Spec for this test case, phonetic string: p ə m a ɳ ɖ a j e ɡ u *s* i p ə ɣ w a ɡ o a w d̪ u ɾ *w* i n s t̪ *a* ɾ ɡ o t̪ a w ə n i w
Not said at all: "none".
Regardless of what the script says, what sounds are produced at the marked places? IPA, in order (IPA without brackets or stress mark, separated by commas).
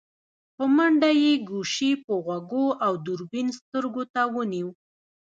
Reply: ʃ, b, ə